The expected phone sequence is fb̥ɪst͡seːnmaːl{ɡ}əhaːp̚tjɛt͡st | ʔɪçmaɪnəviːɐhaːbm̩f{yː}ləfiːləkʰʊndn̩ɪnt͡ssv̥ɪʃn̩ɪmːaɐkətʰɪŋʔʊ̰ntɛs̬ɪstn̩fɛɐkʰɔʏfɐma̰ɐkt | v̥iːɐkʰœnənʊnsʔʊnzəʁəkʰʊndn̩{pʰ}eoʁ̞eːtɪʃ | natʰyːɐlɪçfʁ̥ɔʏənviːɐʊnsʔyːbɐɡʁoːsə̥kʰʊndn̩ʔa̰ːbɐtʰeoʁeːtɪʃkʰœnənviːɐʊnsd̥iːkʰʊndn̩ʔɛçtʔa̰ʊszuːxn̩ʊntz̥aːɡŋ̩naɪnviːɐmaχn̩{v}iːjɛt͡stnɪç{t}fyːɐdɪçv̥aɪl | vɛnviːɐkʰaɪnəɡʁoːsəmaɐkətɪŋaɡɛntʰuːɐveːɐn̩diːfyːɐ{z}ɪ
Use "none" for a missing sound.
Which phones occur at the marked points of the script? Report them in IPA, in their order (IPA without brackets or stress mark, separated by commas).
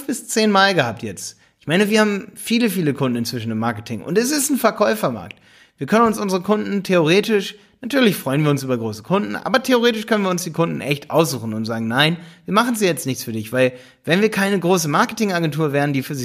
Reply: ɡ, iː, tʰ, z, t͡s, z